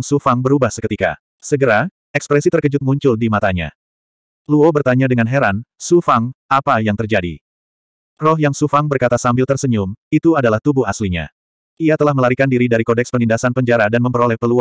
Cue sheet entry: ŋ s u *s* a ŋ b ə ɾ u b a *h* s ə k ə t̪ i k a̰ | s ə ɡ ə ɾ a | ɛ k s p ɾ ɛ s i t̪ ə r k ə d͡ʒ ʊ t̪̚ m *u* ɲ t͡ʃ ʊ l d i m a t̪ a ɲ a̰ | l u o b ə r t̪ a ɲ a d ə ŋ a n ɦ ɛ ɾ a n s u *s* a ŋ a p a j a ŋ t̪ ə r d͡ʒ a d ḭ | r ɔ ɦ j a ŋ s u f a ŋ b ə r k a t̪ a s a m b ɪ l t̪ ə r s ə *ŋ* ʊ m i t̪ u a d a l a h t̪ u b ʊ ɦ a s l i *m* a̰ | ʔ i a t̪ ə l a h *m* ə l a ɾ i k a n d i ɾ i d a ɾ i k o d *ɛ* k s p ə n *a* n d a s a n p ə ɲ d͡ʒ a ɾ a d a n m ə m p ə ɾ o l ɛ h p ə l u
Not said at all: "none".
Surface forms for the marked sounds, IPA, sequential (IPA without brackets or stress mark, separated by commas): f, h, u, f, ɲ, ɲ, m, ɛ, i